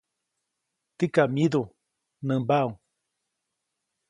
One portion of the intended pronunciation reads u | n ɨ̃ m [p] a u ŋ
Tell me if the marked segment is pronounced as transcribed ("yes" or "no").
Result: no